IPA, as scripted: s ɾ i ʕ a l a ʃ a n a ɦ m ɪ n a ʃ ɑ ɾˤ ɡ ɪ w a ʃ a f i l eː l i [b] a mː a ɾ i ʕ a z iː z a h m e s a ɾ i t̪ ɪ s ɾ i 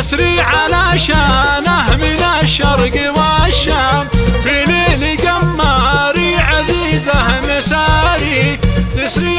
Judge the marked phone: incorrect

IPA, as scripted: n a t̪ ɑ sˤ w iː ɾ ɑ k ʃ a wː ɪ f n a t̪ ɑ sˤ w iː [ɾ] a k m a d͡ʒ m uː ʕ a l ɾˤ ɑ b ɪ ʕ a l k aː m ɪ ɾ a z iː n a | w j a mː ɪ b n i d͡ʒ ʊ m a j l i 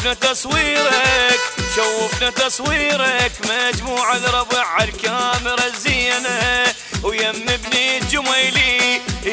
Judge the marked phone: correct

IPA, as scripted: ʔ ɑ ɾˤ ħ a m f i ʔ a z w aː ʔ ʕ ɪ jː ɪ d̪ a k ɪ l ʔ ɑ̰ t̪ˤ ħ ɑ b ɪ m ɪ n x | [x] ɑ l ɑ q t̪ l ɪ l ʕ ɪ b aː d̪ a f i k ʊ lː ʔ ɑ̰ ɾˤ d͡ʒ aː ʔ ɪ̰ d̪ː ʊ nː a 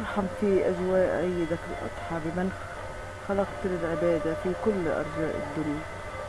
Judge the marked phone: correct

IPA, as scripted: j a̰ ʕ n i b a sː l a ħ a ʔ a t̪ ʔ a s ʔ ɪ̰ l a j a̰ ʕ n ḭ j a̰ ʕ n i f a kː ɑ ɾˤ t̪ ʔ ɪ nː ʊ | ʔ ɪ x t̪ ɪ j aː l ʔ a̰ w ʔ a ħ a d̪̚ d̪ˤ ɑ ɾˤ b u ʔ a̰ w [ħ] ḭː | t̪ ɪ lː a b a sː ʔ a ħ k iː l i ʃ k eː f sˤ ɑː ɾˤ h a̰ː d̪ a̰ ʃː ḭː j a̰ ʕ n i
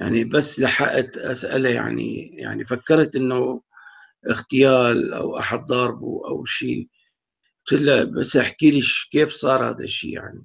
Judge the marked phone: incorrect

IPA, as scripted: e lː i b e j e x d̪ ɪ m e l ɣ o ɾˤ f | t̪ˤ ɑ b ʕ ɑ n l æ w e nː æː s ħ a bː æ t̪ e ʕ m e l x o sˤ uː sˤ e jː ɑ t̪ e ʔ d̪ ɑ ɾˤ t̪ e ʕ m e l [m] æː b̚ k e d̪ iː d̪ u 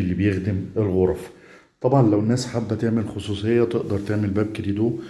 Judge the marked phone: incorrect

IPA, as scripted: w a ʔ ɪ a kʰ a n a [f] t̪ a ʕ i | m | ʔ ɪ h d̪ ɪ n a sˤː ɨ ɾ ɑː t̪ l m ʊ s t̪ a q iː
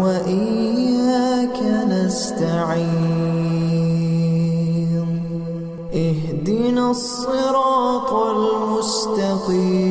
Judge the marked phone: incorrect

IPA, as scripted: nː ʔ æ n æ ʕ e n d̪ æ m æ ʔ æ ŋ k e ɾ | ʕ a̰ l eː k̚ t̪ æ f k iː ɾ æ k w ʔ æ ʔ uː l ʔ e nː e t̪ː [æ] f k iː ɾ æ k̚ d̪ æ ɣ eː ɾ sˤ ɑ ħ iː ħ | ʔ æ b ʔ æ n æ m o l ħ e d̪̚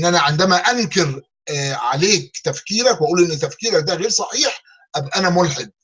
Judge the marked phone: correct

